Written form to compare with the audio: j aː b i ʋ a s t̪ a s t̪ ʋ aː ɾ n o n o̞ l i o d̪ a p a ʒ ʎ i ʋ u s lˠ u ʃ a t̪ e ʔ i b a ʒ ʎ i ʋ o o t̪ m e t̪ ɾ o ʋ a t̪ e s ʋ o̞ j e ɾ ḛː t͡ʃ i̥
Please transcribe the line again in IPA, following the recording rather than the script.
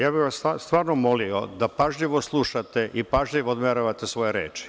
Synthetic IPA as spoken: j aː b i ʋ a s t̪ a s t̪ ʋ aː ɾ n o m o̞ l i o d̪ a p a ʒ ʎ i ʋ o s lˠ u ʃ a t̪ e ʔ i p a ʒ ʎ i ʋ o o d̪ m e ɾ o ʋ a t̪ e s ʋ o̞ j e ɾ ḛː t͡ʃ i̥

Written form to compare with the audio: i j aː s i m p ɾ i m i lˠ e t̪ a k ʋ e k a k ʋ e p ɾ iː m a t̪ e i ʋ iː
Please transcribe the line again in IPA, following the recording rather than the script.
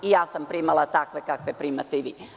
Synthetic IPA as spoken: i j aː s a m p ɾ i m a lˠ a t̪ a k ʋ e k a k ʋ e p ɾ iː m a t̪ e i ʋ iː

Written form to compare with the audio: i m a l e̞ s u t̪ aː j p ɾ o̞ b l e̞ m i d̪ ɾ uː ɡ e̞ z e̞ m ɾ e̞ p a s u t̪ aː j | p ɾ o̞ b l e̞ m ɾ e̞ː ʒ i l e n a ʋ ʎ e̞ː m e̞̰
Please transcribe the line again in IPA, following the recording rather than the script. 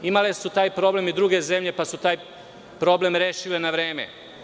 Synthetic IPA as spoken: i m a l e̞ s u t̪ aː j p ɾ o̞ b l e̞ m i d̪ ɾ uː ɡ e̞ z e̞ m ʎ e̞ p a s u t̪ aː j | p ɾ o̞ b l e̞ m ɾ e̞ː ʃ i l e n a ʋ ɾ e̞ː m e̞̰

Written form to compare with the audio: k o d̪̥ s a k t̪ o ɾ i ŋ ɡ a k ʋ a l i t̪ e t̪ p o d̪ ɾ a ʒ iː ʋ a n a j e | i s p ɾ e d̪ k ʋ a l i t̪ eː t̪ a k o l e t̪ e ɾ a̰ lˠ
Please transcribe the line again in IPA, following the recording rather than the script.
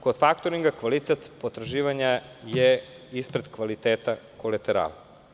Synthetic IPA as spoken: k o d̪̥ f a k t̪ o ɾ i ŋ ɡ a k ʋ a l i t̪ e t̪ p o t̪ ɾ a ʒ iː ʋ a ɲ a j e | i s p ɾ e d̪ k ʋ a l i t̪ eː t̪ a k o l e t̪ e ɾ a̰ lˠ

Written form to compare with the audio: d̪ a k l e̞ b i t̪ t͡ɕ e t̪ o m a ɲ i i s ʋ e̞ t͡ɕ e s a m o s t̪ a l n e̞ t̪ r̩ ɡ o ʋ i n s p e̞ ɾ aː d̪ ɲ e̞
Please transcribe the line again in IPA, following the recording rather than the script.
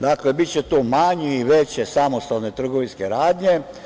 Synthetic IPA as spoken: d̪ a k l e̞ b i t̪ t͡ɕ e t̪ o m a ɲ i i ʋ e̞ t͡ɕ e s a m o s t̪ a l n e̞ t̪ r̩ ɡ o ʋ i n s k e̞ ɾ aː d̪ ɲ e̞

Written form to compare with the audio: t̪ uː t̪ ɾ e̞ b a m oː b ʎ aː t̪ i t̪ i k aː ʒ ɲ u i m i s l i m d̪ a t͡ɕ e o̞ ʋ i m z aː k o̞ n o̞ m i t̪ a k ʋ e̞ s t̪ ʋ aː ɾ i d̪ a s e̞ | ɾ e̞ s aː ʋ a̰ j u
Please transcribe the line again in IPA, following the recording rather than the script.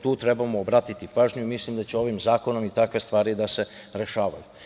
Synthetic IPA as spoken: t̪ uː t̪ ɾ e̞ b a m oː b ɾ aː t̪ i t̪ i p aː ʒ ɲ u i m i s l i m d̪ a t͡ɕ e o̞ ʋ i m z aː k o̞ n o̞ m i t̪ a k ʋ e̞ s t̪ ʋ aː ɾ i d̪ a s e̞ | ɾ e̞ ʃ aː ʋ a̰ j u

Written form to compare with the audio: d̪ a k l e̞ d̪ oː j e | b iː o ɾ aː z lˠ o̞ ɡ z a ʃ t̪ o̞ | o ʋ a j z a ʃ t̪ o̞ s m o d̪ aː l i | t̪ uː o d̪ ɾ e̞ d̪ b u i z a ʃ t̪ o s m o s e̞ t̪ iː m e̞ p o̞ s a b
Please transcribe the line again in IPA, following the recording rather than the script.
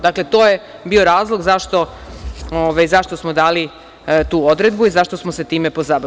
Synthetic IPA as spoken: d̪ a k l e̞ t̪ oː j e | b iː o ɾ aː z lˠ o̞ ɡ z a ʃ t̪ o̞ | o ʋ a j z a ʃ t̪ o̞ s m o d̪ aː l i | t̪ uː o d̪ ɾ e̞ d̪ b u i z a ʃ t̪ o s m o s e̞ t̪ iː m e̞ p o̞ z a b

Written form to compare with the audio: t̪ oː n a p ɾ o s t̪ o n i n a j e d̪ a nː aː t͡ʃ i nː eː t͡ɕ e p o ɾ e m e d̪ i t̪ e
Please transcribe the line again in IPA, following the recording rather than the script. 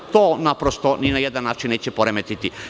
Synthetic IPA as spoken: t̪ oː n a p ɾ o s t̪ o n i n a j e d̪ a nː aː t͡ʃ i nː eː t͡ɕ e p o ɾ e m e t̪ i t̪ i

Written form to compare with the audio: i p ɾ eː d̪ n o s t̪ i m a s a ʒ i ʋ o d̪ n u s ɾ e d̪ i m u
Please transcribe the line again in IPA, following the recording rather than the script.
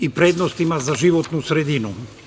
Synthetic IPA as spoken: i p ɾ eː d̪ n o s t̪ i m a z a ʒ i ʋ o t̪ n u s ɾ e d̪ i n u

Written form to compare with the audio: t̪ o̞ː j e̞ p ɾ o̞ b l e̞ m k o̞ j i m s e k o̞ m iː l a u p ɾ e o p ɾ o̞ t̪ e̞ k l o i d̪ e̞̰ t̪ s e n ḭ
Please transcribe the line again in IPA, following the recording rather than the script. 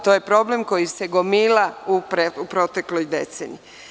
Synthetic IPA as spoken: t̪ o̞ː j e̞ p ɾ o̞ b l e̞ m k o̞ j i s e ɡ o̞ m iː l a u p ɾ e u p ɾ o̞ t̪ e̞ k l o j d̪ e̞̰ t̪ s e n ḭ

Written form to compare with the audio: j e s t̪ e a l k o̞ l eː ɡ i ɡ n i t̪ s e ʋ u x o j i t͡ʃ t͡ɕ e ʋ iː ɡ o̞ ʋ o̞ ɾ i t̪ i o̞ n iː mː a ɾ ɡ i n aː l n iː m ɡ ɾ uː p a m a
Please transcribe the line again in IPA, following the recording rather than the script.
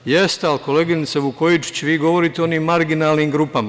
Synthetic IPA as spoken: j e s t̪ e a l k o̞ l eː ɡ i n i t̪ s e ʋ u k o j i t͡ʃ t͡ɕ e ʋ iː ɡ o̞ ʋ o̞ ɾ i t̪ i o̞ n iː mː a ɾ ɡ i n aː l n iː m ɡ ɾ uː p a m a

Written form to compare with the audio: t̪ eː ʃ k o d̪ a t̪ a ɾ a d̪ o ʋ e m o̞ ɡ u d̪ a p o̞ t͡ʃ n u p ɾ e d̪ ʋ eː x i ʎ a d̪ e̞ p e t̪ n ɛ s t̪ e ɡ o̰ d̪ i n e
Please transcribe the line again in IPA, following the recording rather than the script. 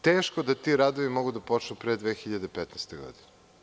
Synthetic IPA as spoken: t̪ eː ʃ k o d̪ a t̪ i ɾ a d̪ o ʋ i m o̞ ɡ u d̪ a p o̞ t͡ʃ n u p ɾ e d̪ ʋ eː x i ʎ a d̪ e̞ p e t̪ n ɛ s t̪ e ɡ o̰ d̪ i n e

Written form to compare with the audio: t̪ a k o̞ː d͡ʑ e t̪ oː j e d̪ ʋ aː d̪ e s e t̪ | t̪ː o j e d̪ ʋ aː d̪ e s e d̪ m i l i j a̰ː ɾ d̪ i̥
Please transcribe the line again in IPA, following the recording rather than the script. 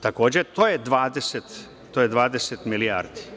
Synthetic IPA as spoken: t̪ a k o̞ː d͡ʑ e t̪ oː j e d̪ ʋ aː d̪ e s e t̪ | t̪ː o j e d̪ ʋ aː d̪ e s e t̪ m i l i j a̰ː ɾ d̪ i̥

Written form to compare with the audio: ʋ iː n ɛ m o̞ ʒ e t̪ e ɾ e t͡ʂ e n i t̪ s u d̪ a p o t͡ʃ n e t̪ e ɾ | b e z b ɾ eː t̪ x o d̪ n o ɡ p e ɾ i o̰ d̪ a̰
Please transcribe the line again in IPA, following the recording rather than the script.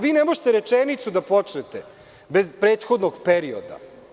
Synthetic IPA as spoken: ʋ iː n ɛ m o̞ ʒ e t̪ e ɾ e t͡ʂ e n i t̪ s u d̪ a p o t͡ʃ n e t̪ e | b e z p ɾ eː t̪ x o d̪ n o ɡ p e ɾ i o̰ d̪ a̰

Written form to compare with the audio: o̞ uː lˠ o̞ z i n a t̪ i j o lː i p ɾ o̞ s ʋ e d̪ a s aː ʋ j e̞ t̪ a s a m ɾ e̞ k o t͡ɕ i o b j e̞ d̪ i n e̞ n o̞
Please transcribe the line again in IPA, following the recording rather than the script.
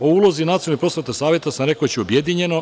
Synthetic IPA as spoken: o̞ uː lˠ o̞ z i n a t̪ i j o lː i p ɾ o̞ s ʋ e t̪ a s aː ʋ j e̞ t̪ a s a m ɾ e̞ k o t͡ɕ i o b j e̞ d̪ i ɲ e̞ n o̞

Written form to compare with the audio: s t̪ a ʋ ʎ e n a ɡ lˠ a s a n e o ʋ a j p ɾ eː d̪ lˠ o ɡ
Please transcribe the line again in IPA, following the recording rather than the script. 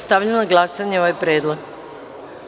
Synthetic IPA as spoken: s t̪ a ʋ ʎ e n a ɡ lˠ a s a ɲ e o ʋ a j p ɾ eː d̪ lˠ o ɡ

